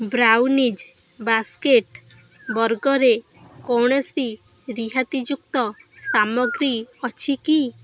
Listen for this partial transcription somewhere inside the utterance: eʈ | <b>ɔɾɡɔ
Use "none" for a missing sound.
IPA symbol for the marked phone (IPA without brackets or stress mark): b